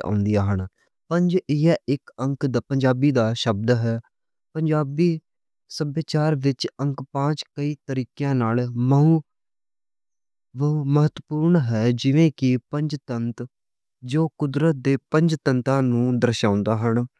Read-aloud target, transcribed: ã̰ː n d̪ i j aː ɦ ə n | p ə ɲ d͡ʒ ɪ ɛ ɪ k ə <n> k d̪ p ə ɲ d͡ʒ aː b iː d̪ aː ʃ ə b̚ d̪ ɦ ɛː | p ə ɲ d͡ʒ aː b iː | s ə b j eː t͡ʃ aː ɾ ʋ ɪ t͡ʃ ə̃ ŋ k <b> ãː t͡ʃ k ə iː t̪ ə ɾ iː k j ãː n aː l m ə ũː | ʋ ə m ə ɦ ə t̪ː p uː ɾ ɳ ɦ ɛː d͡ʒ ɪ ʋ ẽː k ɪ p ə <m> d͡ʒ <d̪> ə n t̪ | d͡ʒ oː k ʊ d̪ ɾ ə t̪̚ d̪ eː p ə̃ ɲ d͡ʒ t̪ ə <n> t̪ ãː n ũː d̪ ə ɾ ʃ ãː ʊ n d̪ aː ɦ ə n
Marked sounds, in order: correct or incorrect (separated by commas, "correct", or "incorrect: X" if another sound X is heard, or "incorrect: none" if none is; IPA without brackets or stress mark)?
incorrect: ŋ, incorrect: p, incorrect: ɲ, incorrect: t̪, correct